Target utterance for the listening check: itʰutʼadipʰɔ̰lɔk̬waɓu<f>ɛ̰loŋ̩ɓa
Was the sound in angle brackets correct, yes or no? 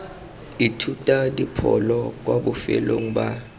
yes